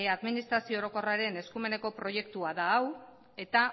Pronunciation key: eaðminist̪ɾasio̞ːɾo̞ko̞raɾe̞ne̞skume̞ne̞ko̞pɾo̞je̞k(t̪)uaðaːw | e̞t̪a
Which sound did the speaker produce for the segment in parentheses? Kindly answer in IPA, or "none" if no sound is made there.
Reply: t̪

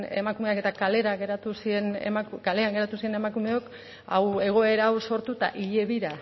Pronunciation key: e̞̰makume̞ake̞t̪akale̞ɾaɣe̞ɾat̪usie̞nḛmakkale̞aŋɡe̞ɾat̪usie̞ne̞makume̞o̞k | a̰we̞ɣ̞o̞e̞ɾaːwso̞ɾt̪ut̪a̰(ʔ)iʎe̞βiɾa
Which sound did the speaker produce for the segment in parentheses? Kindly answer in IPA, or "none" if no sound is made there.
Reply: ʔ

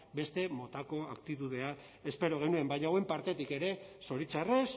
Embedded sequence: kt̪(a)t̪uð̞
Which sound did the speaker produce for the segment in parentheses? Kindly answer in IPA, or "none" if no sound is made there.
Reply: i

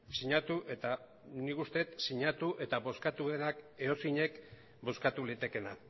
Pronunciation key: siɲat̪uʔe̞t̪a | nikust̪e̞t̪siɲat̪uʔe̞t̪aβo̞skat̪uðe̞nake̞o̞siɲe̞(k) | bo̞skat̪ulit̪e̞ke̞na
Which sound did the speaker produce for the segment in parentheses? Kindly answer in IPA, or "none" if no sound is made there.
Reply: k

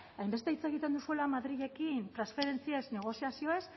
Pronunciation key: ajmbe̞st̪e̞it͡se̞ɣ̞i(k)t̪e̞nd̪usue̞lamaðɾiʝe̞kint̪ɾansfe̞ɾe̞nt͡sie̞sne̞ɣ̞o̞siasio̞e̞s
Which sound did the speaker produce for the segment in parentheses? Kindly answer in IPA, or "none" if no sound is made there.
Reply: none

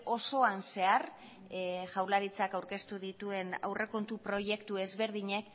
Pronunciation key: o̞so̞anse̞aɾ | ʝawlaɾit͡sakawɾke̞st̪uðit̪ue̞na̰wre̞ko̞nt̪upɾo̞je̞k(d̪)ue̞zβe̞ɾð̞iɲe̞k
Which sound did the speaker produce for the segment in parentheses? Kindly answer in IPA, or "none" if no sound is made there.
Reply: t̪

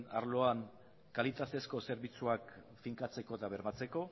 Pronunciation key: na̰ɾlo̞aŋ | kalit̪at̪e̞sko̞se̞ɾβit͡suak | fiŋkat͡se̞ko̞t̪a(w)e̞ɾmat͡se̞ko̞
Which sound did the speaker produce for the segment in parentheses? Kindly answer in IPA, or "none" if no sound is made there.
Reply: β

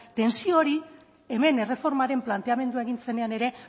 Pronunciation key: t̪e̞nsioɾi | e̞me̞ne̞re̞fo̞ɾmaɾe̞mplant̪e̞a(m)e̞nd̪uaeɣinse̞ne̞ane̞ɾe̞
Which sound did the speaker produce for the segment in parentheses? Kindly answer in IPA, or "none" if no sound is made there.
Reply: m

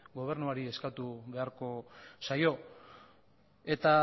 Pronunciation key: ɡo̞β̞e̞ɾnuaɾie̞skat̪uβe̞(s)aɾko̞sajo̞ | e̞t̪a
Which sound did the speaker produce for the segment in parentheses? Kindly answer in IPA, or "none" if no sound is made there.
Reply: none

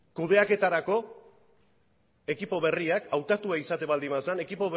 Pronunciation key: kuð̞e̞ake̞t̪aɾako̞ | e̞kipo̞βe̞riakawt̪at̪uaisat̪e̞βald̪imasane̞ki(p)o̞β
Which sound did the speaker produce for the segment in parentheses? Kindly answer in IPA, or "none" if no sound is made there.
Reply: p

